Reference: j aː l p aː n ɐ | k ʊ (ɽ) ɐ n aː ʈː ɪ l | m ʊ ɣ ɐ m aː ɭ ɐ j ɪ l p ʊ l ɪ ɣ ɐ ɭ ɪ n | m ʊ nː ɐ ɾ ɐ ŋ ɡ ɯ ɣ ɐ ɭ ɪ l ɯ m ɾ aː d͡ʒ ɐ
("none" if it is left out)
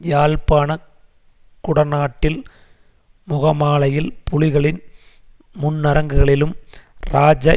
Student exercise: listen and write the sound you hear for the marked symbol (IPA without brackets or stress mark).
ɽ